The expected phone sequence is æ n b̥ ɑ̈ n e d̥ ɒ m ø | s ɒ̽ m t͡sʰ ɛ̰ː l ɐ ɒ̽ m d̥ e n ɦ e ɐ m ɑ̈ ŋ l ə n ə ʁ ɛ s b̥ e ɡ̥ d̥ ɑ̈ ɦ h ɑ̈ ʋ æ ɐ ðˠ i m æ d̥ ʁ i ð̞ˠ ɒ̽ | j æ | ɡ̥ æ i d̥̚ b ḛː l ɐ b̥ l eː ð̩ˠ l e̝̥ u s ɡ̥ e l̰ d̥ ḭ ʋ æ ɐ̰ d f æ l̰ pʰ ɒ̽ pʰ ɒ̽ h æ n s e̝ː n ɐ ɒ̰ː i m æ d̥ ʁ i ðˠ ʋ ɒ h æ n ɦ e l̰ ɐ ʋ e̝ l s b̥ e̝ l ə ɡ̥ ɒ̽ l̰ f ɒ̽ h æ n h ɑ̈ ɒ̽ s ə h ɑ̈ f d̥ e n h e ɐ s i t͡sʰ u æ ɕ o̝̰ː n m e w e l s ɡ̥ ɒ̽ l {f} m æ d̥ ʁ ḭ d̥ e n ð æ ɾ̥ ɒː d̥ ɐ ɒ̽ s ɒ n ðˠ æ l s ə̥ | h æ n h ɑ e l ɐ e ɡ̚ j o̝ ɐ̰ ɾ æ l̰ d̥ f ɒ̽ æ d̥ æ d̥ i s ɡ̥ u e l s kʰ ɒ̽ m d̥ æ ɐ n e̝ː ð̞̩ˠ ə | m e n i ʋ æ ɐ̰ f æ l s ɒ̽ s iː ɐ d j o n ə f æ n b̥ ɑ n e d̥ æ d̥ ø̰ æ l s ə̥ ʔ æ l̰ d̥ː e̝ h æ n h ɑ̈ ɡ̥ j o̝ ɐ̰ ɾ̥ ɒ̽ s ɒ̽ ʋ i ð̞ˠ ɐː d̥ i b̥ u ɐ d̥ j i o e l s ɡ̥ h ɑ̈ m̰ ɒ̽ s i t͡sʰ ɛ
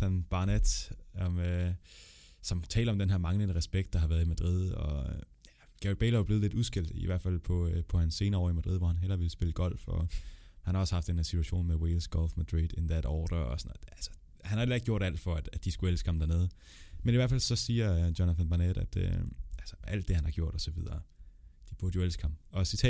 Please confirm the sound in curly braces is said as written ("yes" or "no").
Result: yes